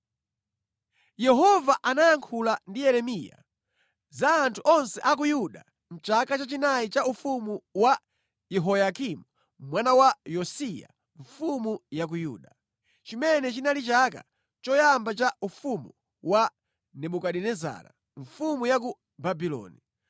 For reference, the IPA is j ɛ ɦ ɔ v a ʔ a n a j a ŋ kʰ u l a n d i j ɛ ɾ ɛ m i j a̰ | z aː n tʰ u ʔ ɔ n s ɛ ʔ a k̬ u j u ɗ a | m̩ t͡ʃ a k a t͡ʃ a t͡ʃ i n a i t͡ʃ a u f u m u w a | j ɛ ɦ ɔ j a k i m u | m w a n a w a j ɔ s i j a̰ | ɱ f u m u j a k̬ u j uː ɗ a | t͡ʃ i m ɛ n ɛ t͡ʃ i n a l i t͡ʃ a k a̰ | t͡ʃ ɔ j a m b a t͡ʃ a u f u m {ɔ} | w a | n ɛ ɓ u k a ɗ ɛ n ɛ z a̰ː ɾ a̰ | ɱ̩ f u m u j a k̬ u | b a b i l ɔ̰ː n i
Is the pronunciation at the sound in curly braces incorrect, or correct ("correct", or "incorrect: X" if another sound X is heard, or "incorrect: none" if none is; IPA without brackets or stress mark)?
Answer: incorrect: u